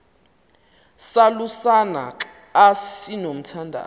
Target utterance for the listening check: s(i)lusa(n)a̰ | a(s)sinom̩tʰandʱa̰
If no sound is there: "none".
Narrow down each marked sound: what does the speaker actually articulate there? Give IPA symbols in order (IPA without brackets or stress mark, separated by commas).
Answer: a, n, s